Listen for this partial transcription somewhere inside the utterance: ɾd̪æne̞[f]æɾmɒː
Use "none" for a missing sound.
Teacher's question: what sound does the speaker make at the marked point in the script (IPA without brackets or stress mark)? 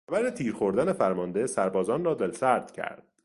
f